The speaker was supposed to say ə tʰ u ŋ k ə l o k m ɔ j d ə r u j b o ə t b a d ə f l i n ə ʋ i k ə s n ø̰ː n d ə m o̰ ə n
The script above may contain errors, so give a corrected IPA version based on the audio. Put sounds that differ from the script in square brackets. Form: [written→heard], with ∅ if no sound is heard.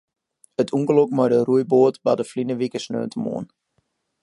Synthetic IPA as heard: ə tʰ u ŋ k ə l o k m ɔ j d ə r u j b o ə t b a d ə f l i n ə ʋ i k ə s n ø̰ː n [d→t] ə m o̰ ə n